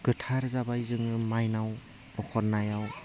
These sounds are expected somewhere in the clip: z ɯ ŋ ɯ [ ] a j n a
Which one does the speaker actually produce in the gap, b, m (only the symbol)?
m